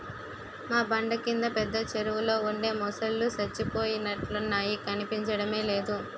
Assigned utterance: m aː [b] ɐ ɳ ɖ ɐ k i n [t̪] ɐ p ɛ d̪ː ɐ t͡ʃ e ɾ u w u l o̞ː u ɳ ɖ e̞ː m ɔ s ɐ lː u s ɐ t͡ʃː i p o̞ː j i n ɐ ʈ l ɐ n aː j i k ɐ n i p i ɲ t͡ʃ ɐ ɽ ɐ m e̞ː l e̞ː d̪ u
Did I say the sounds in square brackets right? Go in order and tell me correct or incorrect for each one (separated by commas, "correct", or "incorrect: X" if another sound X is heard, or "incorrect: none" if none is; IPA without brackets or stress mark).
correct, incorrect: d̪